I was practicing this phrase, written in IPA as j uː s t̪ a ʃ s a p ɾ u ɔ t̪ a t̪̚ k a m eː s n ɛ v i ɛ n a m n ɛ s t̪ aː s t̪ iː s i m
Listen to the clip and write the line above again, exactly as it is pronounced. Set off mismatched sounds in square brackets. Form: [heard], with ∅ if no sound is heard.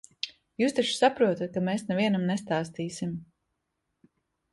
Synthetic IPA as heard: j uː s t̪ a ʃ s a p ɾ u ɔ t̪ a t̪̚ k a m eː s n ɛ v i ɛ n a m n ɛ s t̪ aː s t̪ iː s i m